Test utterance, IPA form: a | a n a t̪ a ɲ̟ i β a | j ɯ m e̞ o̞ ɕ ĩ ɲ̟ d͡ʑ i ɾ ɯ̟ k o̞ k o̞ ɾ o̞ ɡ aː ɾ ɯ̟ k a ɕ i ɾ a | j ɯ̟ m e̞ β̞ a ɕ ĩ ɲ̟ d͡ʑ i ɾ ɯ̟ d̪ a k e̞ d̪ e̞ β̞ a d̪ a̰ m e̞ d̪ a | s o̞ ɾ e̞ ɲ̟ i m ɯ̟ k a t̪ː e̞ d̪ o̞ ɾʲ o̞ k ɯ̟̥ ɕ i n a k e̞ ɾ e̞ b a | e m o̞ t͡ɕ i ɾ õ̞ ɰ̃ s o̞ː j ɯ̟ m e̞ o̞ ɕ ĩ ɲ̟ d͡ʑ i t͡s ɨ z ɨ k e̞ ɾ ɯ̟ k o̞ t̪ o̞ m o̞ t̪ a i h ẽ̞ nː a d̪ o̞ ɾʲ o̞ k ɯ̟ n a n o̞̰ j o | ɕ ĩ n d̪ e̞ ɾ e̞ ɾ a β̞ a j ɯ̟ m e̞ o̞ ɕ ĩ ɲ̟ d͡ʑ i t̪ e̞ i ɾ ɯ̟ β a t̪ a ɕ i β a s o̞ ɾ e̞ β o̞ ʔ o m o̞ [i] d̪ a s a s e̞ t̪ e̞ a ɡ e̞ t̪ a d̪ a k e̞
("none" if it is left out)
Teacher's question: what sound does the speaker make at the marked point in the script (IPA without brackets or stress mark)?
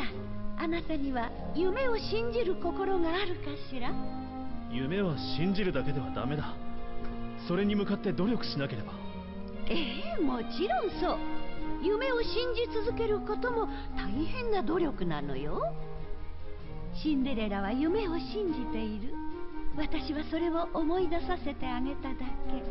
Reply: i